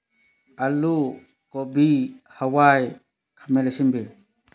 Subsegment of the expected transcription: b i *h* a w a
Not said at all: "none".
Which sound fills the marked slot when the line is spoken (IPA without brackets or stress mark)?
h